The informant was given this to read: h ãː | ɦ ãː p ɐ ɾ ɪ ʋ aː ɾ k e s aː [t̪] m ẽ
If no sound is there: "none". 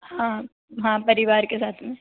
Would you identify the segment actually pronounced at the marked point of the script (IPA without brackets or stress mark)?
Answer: t̪ʰ